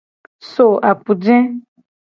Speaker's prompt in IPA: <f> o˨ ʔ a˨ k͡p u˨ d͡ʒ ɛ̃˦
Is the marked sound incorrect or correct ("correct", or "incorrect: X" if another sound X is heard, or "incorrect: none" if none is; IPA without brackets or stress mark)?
incorrect: s